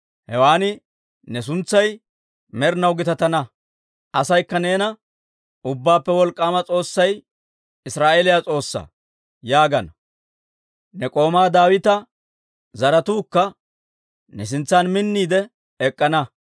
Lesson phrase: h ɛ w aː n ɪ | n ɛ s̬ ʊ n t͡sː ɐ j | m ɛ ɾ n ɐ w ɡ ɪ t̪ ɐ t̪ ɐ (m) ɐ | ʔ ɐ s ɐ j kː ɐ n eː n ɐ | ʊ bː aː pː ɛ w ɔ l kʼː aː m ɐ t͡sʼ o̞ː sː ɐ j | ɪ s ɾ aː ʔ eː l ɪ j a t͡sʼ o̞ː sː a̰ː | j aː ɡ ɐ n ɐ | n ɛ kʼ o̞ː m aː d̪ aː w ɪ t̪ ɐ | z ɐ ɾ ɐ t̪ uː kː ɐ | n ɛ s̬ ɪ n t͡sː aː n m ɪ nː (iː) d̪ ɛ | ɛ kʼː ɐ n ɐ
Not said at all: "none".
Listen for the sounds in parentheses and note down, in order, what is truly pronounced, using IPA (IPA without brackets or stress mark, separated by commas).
n, iː